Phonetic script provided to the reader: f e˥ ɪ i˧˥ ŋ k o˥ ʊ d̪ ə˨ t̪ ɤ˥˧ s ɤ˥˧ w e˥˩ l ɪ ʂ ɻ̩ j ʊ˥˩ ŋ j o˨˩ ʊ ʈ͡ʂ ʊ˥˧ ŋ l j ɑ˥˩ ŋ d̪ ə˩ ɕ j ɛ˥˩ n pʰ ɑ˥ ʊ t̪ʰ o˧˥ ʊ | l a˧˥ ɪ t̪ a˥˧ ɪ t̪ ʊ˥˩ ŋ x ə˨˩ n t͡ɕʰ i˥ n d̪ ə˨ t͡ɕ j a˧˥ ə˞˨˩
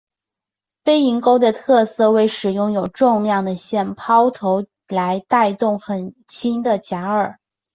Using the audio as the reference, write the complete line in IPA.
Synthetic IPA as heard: f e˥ ɪ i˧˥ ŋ k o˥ ʊ d̪ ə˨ t̪ʰ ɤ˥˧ s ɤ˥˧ w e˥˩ ɪ ʂ ɻ̩ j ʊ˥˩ ŋ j o˨˩ ʊ ʈ͡ʂ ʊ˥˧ ŋ l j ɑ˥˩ ŋ d̪ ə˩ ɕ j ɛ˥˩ n pʰ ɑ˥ ʊ t̪ʰ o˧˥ ʊ | l a˧˥ ɪ t̪ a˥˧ ɪ t̪ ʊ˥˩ ŋ x ə˨˩ n t͡ɕʰ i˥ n d̪ ə˨ t͡ɕ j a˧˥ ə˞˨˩